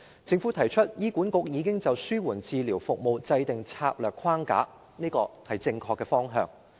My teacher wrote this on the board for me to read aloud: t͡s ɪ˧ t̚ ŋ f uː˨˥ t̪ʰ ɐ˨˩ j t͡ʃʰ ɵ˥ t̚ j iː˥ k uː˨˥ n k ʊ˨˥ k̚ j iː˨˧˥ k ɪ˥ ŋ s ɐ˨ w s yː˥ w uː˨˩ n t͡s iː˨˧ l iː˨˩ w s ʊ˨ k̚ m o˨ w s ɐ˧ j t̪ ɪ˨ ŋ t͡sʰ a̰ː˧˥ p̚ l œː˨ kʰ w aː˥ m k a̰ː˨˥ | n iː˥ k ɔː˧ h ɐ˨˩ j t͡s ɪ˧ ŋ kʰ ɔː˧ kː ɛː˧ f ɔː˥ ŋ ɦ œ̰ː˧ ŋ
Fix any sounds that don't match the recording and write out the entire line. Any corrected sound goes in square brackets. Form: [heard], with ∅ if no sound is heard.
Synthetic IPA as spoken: t͡s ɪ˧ [∅] ŋ f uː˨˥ t̪ʰ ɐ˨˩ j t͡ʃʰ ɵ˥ t̚ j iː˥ k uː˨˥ n k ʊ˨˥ k̚ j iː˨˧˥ k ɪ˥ ŋ [t͡s] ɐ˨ w s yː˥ w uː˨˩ n t͡s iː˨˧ l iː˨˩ w [f] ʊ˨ k̚ m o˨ w [t͡s] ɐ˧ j t̪ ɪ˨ ŋ t͡sʰ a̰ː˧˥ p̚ l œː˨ kʰ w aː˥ [ŋ] k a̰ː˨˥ | n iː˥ k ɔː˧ h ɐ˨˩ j t͡s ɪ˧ ŋ kʰ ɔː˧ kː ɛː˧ f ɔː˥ ŋ ɦ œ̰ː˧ ŋ